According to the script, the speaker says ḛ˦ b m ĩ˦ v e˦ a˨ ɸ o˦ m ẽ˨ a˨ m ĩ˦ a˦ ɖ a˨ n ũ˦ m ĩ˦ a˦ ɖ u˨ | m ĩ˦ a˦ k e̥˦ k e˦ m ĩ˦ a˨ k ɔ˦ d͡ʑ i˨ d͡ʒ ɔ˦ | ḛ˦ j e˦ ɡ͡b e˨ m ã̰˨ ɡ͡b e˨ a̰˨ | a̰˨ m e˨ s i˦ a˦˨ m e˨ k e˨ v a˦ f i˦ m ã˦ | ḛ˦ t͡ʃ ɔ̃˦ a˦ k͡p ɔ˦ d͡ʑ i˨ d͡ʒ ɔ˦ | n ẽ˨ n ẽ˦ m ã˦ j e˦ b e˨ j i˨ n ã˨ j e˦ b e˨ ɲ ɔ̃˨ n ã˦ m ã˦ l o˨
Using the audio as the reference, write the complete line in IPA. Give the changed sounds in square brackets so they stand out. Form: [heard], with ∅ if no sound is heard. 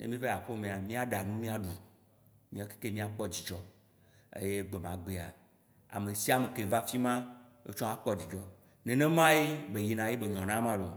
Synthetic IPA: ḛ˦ [∅] m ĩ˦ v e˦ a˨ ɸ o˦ m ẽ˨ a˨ m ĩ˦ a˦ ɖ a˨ n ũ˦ m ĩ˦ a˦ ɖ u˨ | m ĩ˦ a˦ k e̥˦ k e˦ m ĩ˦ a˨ [k͡p] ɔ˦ d͡ʑ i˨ d͡ʒ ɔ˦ | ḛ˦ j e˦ ɡ͡b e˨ m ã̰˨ ɡ͡b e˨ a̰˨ | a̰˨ m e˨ s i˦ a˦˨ m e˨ k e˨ v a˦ f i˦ m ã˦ | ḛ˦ t͡ʃ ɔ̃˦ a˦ k͡p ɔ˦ d͡ʑ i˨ d͡ʒ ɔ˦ | n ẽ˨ n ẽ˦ m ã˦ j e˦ b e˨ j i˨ n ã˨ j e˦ b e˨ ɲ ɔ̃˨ n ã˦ m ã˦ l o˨